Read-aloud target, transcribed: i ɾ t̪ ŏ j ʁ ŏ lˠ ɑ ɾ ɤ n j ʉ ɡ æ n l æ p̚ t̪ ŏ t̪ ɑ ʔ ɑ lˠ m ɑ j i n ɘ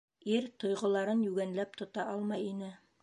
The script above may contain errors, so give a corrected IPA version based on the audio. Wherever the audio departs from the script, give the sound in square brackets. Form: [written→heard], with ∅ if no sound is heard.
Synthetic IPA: i ɾ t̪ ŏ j ʁ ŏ lˠ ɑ ɾ ɤ n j ʉ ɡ æ n l æ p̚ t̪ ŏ t̪ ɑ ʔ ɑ lˠ m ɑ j i n ɘ